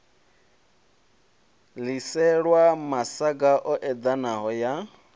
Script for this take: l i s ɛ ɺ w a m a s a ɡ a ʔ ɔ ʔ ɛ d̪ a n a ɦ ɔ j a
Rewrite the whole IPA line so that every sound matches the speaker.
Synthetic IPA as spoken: l i s ɛ ɺ w a m a s a ɡ a ʔ ɔ ʔ ɛ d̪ a n a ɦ ɔ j a